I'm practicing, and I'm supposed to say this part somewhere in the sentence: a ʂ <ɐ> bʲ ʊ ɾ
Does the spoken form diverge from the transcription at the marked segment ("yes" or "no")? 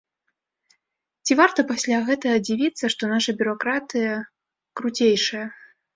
no